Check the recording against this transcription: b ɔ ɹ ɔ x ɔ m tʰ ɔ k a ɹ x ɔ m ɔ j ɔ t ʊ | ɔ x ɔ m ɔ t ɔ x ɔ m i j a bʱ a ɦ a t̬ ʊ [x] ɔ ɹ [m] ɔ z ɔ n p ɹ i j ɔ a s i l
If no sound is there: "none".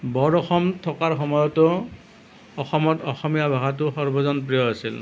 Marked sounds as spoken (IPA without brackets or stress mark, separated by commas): x, b